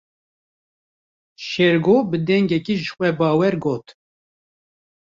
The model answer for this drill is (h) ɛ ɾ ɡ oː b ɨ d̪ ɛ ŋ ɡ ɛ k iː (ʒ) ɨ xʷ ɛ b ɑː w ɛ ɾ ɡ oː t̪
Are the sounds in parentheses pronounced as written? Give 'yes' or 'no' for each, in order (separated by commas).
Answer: no, yes